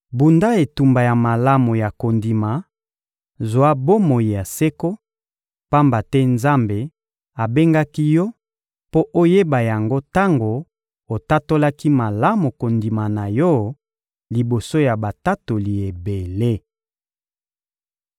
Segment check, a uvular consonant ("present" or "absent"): absent